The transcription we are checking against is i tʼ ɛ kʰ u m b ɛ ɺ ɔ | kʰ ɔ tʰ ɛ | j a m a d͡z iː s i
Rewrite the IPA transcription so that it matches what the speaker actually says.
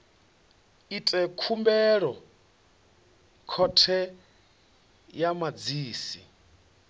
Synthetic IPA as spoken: i tʼ ɛ kʰ u m b ɛ ɺ ɔ | kʰ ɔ tʰ ɛ | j a m a d͡z iː s i